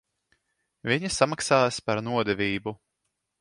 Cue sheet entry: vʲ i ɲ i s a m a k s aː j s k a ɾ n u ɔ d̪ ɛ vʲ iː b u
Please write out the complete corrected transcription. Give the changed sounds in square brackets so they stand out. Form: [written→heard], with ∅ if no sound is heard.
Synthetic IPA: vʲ i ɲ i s a m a k s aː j s [k→p] a ɾ n u ɔ d̪ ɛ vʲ iː b u